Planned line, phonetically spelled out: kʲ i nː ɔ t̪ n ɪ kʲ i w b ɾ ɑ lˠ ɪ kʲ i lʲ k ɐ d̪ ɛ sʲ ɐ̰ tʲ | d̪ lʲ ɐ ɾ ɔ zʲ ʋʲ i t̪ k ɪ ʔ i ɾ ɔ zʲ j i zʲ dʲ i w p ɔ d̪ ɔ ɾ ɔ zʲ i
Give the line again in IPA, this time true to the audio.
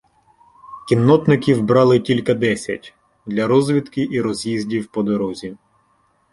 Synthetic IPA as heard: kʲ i nː ɔ t̪ n ɪ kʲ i w b ɾ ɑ lˠ ɪ tʲ i lʲ k ɐ d̪ ɛ sʲ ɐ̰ tʲ | d̪ lʲ ɐ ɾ ɔ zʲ ʋʲ i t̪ k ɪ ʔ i ɾ ɔ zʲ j i zʲ dʲ i w p ɔ d̪ ɔ ɾ ɔ zʲ i